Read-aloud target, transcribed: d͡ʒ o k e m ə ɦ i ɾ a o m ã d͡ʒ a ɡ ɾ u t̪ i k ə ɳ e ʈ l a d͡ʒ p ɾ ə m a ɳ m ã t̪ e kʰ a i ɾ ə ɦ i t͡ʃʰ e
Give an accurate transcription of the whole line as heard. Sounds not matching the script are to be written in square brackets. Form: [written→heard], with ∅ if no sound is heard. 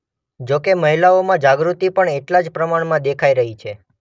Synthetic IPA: d͡ʒ o k e m ə ɦ i [ɾ→l] a o m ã d͡ʒ a ɡ ɾ u t̪ i [k→p] ə ɳ e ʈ l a d͡ʒ p ɾ ə m a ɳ m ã [t̪→d̪] e kʰ a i ɾ ə ɦ i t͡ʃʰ e